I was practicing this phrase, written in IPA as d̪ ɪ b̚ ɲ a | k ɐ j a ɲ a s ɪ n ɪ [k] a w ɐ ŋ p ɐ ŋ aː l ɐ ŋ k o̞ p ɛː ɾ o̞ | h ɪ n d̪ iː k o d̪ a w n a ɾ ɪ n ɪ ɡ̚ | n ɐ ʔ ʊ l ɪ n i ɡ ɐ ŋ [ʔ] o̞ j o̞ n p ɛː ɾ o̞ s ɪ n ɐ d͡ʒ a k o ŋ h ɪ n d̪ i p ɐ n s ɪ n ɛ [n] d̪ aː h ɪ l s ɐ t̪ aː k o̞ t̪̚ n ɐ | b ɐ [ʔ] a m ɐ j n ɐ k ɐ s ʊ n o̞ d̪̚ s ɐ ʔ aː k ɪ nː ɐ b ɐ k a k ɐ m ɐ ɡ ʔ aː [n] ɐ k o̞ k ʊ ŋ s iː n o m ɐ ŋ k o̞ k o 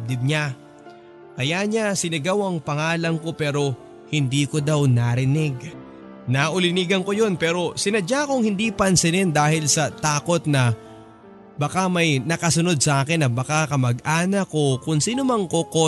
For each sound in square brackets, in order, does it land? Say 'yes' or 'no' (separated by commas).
no, no, yes, no, yes